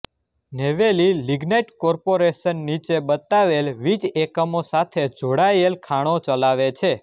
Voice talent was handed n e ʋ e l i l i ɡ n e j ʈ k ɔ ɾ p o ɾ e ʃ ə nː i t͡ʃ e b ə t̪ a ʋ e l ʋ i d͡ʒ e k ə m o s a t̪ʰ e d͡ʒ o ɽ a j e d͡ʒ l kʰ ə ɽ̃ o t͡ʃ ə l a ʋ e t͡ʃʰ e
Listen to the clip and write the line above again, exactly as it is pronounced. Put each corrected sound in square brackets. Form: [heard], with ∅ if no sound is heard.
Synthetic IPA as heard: n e ʋ e l i l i ɡ n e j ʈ k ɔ ɾ p o ɾ e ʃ ə nː i t͡ʃ e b ə t̪ a ʋ e l ʋ i d͡ʒ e k ə m o s a t̪ʰ e d͡ʒ o ɽ a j e [∅] l kʰ [a] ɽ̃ o t͡ʃ ə l a ʋ e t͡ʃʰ e